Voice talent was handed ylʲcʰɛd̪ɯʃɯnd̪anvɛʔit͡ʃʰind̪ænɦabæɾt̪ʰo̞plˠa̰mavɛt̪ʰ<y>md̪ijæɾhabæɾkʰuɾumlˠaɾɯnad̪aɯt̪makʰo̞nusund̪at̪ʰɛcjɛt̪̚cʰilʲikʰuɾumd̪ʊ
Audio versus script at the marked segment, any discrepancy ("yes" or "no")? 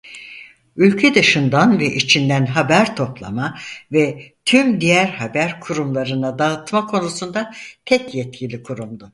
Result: no